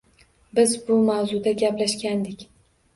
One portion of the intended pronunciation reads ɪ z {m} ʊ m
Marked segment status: incorrect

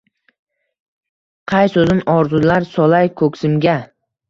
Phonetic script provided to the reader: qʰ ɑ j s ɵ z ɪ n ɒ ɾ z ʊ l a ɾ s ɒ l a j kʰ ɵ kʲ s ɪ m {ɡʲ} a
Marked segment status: correct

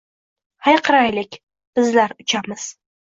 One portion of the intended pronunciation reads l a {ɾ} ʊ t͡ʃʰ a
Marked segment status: correct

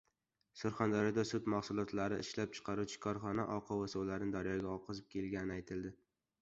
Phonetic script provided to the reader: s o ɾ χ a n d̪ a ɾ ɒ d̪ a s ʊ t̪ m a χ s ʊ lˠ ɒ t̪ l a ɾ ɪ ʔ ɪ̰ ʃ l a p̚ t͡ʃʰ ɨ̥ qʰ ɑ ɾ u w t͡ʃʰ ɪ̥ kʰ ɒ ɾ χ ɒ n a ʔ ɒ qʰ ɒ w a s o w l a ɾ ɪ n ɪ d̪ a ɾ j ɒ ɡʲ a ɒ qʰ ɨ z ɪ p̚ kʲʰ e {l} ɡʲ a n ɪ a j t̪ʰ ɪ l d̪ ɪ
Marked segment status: correct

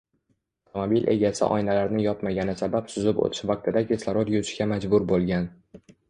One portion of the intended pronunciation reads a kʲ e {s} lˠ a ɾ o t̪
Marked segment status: correct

